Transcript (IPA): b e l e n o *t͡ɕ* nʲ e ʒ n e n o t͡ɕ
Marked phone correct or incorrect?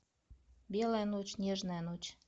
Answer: correct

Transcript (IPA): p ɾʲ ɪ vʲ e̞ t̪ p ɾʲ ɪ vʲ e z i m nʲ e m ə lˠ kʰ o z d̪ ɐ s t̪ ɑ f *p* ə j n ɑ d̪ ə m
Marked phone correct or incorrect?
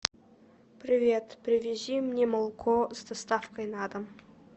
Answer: incorrect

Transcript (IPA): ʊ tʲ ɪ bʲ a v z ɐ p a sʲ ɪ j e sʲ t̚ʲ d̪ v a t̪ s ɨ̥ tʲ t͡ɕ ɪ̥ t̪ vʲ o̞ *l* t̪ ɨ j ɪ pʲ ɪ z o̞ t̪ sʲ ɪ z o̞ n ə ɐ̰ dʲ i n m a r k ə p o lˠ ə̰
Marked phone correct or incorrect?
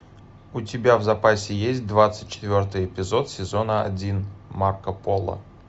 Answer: incorrect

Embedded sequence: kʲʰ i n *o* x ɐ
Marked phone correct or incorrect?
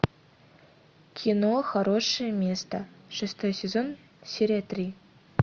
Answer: correct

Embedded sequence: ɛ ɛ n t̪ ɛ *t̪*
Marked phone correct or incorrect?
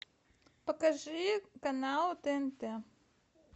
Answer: incorrect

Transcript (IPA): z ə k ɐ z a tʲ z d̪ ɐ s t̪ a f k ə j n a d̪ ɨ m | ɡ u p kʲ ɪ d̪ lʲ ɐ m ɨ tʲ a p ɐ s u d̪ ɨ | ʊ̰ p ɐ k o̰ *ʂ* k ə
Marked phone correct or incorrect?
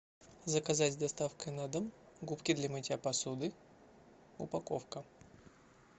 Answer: incorrect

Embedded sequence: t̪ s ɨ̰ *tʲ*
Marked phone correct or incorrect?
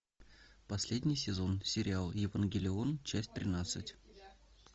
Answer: correct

